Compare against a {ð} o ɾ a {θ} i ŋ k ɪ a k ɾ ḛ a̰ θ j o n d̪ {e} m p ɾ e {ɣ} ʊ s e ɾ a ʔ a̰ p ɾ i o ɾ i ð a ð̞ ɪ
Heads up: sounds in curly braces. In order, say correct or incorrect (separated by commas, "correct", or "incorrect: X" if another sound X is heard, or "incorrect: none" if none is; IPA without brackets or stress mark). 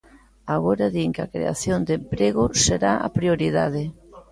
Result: incorrect: ɣ, incorrect: ð, correct, correct